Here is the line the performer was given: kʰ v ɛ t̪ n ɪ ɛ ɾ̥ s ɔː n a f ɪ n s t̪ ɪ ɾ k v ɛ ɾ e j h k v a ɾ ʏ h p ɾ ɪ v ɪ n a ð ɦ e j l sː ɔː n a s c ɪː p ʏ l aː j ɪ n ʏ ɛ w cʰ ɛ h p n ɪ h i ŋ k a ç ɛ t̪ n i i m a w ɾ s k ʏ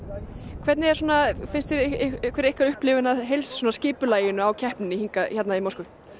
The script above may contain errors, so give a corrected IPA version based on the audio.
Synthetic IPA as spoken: kʰ v ɛ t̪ n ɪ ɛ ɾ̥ s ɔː n a f ɪ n s t̪ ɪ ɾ k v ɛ ɾ e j h k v a ɾ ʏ h p l ɪ v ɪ n a ð ɦ e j l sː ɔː n a s c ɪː p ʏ l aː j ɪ n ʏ a w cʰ ɛ h p n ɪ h i ŋ k a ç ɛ t̪ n a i m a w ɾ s k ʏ